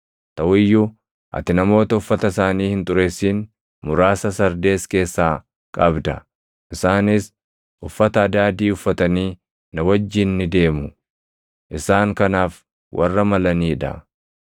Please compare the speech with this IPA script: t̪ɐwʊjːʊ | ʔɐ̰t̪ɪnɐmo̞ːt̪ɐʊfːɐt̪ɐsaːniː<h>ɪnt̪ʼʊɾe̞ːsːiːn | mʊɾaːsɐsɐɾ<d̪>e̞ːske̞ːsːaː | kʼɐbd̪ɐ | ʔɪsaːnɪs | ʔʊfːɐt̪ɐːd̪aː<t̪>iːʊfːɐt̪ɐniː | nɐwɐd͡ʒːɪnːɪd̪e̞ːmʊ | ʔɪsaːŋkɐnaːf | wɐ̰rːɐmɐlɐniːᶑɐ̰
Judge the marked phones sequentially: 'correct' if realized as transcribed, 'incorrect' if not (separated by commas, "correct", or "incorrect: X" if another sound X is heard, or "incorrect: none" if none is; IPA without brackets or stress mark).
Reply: correct, correct, incorrect: d̪